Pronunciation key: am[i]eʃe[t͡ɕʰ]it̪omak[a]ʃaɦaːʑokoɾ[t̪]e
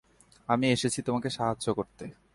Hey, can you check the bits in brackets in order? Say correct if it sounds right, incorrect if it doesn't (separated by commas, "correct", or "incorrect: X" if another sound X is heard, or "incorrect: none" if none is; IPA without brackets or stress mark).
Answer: correct, correct, incorrect: e, correct